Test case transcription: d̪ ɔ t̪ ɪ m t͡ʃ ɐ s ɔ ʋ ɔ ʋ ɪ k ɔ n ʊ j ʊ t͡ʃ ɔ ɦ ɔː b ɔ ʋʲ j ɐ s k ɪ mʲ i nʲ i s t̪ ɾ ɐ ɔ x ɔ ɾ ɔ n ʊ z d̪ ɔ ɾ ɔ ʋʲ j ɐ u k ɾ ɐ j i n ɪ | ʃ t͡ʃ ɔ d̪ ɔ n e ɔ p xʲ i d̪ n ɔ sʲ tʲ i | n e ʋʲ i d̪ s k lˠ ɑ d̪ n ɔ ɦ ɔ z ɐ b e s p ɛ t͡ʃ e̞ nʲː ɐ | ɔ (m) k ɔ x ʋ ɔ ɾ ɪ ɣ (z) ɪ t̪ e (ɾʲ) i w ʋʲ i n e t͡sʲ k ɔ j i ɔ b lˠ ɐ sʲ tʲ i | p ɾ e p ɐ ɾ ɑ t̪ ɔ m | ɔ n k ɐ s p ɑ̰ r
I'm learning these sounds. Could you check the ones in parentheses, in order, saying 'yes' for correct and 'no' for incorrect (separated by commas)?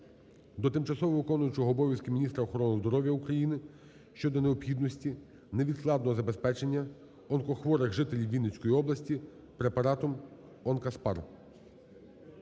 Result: no, no, no